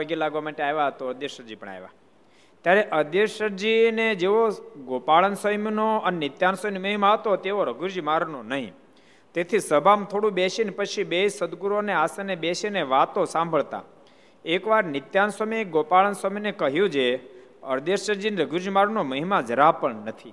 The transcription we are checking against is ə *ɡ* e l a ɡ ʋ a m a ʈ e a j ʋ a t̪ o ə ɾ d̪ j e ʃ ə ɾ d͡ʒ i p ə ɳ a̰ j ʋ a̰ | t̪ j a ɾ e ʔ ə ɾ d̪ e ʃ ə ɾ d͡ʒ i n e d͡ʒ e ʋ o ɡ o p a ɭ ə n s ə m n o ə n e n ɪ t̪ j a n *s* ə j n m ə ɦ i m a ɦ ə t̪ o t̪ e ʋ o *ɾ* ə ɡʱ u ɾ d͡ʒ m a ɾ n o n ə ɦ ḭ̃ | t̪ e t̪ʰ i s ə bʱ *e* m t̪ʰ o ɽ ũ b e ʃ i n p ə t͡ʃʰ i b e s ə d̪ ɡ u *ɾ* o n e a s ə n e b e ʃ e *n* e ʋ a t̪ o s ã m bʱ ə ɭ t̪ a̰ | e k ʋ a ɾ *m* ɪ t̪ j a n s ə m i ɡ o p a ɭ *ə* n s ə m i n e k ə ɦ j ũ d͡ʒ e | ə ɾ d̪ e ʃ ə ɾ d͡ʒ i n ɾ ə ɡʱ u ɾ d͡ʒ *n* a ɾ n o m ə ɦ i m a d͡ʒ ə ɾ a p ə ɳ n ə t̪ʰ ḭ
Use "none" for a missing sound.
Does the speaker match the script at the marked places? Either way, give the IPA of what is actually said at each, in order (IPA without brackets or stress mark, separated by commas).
ɡ, s, ɾ, a, ɾ, n, n, ə, m